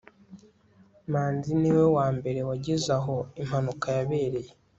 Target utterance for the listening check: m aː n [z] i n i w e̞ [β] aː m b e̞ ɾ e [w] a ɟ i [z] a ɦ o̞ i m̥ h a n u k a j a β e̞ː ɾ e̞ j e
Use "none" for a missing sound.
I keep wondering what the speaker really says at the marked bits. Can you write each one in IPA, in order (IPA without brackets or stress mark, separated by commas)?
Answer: z, w, w, z